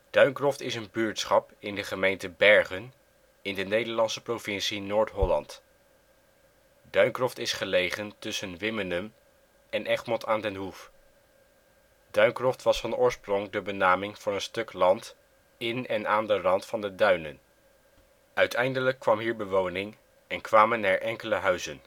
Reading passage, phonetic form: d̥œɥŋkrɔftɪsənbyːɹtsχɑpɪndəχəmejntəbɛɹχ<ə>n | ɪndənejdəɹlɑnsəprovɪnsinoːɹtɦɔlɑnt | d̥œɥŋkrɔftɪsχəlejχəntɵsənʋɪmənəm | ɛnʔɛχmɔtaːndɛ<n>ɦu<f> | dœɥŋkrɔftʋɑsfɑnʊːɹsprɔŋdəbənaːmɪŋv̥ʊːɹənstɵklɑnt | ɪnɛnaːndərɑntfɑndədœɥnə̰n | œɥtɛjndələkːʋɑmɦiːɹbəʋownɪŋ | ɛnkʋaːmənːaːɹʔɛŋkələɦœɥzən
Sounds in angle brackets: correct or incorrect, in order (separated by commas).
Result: correct, correct, correct